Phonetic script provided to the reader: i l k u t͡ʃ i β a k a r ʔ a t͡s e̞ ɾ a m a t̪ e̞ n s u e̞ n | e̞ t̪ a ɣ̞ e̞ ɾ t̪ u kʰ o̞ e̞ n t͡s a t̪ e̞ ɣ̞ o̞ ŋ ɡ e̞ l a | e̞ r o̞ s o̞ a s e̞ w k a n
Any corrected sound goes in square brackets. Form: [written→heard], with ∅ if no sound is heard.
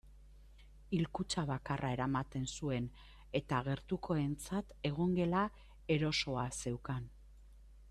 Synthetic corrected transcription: i l k u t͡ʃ [i→a] β a k a r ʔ a [t͡s→∅] e̞ ɾ a m a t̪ e̞ n s u e̞ n | e̞ t̪ a ɣ̞ e̞ ɾ t̪ u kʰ o̞ e̞ n t͡s a t̪ e̞ ɣ̞ o̞ ŋ ɡ e̞ l a | e̞ [r→ɾ] o̞ s o̞ a s e̞ w k a n